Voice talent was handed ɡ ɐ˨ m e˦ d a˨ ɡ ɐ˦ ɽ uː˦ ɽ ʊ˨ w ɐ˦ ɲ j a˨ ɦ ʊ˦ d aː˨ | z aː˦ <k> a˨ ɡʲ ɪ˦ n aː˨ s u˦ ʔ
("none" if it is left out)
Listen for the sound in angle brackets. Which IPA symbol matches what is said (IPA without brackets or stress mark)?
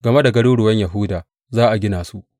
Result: ʔ